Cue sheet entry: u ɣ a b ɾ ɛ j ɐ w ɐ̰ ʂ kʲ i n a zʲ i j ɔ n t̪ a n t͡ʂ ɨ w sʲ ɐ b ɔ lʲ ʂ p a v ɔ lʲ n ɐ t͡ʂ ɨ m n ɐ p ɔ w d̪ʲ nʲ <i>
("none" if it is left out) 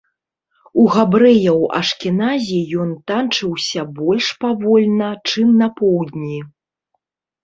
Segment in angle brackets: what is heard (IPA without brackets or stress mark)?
i